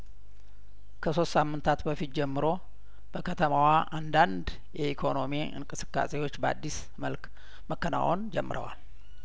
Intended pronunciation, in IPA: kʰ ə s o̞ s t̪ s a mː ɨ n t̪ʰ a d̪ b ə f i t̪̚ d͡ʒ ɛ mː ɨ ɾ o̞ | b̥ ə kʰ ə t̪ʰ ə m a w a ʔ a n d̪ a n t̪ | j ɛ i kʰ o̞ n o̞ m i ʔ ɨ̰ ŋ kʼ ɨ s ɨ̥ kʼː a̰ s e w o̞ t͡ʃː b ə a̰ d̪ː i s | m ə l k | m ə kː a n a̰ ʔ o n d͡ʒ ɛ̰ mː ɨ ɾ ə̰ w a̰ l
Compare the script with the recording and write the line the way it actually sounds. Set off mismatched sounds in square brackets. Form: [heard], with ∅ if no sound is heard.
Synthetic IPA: kʰ ə s o̞ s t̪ s a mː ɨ n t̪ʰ a [t̪] b ə f i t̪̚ d͡ʒ ɛ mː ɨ ɾ o̞ | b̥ ə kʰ ə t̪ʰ ə m a w a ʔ a n d̪ a n [d̪] | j ɛ i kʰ o̞ n o̞ m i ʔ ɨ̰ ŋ kʼ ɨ s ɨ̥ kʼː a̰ s e w o̞ t͡ʃː b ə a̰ d̪ː i s | m ə l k | m ə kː [ə] n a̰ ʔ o n d͡ʒ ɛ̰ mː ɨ ɾ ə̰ w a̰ l